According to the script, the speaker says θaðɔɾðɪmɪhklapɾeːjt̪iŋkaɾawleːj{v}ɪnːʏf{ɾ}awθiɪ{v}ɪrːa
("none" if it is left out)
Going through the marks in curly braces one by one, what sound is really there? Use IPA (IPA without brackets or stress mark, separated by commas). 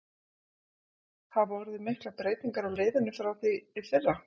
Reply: ð, ɾ, f